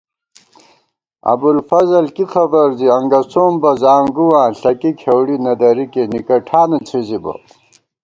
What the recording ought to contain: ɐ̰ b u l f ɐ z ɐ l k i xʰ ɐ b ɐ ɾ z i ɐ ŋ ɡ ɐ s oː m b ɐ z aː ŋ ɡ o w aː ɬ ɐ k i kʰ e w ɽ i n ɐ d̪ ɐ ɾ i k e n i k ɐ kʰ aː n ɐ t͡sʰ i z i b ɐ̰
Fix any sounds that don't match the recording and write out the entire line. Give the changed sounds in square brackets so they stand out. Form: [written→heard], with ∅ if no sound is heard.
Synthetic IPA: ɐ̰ b u l f ɐ z ɐ l k i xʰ ɐ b ɐ ɾ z i ɐ ŋ ɡ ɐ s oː m b ɐ z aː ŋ ɡ [o→u] w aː ɬ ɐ k i kʰ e w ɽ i n ɐ d̪ ɐ ɾ i k e n i k ɐ [kʰ→ʈʰ] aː n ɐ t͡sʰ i z i b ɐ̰